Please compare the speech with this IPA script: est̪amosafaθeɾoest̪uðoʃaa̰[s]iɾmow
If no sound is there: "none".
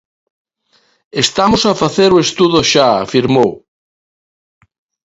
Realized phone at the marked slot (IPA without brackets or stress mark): f